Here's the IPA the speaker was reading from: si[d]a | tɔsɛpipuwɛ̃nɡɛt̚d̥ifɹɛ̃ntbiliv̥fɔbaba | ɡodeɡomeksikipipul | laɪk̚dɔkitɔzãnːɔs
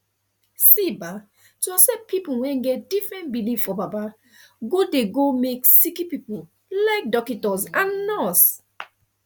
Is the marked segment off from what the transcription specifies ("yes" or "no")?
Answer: yes